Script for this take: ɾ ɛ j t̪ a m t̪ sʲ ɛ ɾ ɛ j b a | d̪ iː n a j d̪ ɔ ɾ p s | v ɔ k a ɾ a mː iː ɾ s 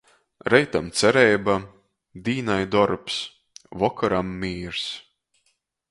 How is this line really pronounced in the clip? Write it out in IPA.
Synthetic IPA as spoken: ɾ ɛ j t̪ a m t̪ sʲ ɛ ɾ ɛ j b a | d̪ iː n a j d̪ ɔ ɾ p s | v ɔ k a ɾ a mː iː ɾ s